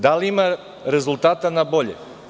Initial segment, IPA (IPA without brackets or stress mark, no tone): d̪